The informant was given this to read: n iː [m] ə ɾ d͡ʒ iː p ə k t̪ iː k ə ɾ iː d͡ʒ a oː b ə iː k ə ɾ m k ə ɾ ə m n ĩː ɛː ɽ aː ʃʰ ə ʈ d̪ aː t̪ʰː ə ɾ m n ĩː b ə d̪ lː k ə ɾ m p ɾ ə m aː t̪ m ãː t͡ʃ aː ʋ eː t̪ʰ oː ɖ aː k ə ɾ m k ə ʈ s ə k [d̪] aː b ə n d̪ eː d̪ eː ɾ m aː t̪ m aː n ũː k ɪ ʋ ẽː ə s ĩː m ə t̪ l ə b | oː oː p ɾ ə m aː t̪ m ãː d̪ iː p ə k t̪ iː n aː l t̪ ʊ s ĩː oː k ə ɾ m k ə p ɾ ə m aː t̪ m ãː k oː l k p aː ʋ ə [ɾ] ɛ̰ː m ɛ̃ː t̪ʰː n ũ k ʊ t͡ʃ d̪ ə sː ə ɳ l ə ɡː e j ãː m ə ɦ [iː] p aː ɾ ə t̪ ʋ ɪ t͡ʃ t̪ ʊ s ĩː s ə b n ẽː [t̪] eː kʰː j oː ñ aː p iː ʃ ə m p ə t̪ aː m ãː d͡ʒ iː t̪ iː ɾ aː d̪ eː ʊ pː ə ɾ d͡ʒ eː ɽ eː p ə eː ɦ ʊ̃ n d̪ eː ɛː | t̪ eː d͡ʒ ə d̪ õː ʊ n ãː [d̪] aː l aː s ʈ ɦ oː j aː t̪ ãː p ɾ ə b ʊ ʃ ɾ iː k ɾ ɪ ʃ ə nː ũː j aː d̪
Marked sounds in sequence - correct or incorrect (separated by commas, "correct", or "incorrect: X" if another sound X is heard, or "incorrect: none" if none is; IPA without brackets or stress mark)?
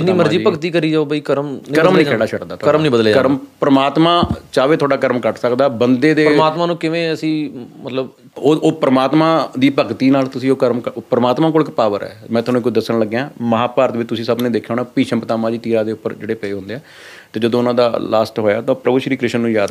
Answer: correct, correct, correct, incorrect: aː, incorrect: d̪, correct